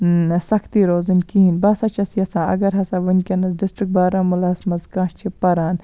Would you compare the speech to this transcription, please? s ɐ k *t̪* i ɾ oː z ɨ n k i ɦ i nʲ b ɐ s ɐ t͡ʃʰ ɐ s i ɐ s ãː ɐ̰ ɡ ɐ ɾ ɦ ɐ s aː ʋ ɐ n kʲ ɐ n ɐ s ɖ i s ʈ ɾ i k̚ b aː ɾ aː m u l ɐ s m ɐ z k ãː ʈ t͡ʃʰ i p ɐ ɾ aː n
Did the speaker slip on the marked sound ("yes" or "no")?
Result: no